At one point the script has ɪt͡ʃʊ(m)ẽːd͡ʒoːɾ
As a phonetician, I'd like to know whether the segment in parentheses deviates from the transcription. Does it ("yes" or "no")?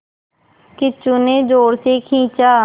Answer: yes